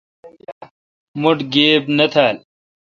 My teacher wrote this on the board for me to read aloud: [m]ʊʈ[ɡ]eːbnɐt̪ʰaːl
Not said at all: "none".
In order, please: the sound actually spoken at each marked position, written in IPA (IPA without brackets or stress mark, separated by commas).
m, ɡ